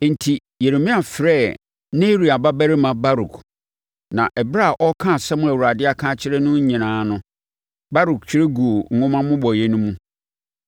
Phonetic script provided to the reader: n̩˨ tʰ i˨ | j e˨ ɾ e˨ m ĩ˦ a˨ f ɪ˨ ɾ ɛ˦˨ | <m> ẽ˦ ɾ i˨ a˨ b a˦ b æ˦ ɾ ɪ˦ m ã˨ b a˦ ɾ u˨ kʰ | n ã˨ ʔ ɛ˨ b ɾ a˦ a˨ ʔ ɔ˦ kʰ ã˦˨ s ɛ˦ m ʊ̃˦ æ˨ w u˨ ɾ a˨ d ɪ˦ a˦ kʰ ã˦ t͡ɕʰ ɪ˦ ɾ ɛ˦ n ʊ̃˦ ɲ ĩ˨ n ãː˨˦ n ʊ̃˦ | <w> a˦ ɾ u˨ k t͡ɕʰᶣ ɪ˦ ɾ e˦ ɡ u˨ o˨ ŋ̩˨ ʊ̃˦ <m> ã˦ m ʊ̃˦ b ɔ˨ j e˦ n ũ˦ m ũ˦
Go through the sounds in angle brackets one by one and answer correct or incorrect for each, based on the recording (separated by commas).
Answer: incorrect, incorrect, correct